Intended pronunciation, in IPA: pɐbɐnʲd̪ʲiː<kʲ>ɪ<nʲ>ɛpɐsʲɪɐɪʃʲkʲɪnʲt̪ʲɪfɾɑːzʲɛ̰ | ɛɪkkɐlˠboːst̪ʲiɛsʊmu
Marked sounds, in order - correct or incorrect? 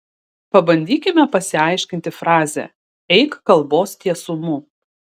correct, incorrect: mʲ

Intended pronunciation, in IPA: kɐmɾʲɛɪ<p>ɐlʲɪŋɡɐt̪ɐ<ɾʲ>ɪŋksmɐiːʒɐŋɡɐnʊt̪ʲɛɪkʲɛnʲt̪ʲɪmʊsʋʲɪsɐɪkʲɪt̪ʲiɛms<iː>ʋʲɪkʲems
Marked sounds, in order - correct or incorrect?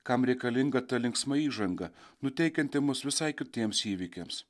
incorrect: k, incorrect: lʲ, correct

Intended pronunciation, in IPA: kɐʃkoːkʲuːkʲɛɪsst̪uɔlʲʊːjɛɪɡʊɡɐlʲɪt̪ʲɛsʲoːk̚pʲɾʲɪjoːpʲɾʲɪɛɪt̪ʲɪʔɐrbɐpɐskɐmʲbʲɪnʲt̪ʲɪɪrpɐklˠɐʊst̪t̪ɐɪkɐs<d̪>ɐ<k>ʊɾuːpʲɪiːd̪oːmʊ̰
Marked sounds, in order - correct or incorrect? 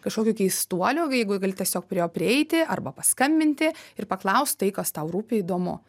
incorrect: t̪, incorrect: none

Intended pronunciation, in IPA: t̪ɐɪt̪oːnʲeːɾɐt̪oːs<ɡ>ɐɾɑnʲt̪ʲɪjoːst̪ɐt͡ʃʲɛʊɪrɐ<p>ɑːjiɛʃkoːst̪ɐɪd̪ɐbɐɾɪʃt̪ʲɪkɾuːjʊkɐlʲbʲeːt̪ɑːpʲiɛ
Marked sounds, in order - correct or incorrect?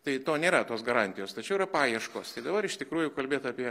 correct, correct

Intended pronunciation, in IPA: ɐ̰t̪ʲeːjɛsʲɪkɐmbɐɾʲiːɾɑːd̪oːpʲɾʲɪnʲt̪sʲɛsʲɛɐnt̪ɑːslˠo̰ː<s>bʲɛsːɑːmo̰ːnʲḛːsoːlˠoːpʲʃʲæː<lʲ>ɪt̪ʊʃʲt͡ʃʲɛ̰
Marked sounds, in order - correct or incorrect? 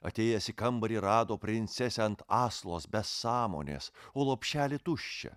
correct, correct

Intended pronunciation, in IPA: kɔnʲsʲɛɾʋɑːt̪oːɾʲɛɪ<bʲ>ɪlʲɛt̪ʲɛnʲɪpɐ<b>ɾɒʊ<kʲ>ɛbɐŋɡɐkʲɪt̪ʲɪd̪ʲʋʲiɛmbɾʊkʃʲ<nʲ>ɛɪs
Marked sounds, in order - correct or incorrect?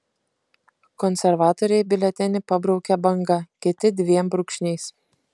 correct, correct, correct, correct

